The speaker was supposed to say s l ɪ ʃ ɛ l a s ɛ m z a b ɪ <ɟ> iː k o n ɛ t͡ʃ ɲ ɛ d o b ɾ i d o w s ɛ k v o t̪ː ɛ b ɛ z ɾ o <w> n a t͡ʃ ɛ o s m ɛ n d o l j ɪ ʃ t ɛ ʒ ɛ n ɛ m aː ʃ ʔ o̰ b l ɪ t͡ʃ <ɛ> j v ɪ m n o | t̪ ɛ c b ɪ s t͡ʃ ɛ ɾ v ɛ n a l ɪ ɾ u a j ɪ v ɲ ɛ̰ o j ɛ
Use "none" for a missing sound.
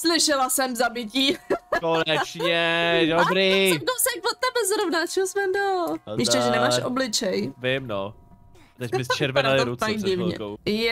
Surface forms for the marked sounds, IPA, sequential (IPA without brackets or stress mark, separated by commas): c, v, ɛ